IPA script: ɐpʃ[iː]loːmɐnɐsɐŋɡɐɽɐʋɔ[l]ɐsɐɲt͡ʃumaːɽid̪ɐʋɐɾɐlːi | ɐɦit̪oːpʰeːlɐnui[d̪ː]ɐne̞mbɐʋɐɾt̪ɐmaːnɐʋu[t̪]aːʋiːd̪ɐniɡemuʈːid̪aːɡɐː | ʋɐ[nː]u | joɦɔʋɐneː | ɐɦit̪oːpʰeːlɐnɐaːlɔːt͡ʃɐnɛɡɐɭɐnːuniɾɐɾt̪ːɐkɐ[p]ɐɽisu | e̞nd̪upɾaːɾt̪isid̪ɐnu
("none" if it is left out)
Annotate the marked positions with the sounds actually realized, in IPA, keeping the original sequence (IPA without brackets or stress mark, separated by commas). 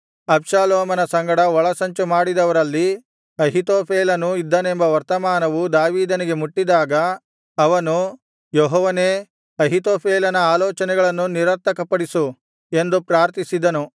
aː, ɭ, d̪ː, d̪, n, p